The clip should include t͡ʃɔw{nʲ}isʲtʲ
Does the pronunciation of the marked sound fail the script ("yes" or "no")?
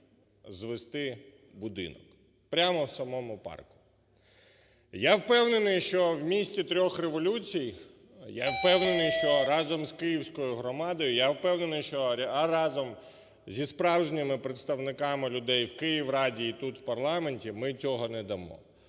yes